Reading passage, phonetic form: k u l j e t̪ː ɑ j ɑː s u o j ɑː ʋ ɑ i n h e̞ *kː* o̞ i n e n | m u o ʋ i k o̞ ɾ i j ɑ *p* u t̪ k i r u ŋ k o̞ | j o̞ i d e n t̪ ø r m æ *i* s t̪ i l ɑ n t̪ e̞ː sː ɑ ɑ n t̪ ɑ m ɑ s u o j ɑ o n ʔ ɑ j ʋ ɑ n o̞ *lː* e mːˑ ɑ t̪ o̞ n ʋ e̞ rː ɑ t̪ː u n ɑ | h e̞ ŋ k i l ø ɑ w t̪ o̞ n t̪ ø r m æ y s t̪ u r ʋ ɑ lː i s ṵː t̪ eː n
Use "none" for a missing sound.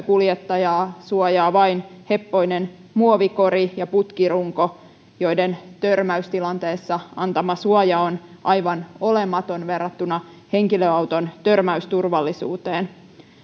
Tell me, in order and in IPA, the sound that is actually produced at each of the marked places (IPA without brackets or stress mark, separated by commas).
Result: pː, p, y, l